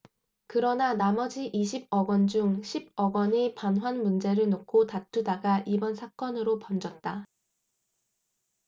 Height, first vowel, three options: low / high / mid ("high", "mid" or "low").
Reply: high